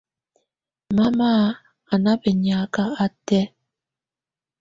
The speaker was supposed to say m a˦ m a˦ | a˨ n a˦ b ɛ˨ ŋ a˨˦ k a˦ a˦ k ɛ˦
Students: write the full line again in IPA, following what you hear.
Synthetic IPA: m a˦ m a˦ | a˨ n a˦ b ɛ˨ ɲ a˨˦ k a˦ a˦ t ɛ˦